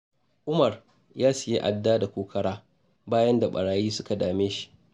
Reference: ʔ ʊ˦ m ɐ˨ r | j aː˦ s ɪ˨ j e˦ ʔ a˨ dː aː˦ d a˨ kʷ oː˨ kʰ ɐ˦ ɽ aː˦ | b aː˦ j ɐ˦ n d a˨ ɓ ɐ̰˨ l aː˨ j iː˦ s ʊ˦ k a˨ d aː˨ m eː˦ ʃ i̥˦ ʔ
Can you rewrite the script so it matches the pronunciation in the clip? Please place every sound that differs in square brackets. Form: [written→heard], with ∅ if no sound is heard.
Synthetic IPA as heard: ʔ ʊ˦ m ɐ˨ r | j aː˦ s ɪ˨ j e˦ ʔ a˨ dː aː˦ d a˨ kʷ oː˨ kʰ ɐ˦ ɽ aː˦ | b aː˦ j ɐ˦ n d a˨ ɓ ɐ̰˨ [l→ɽ] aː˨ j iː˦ s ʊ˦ k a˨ d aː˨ m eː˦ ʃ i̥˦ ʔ